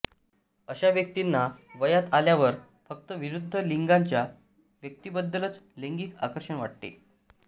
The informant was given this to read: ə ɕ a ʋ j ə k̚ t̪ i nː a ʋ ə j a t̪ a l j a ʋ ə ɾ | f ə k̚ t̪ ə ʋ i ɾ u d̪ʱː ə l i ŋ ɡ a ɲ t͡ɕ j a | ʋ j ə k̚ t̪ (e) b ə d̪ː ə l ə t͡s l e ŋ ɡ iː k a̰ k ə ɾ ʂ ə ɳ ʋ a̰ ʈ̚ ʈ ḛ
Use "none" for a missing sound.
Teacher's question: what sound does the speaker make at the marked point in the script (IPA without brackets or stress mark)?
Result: i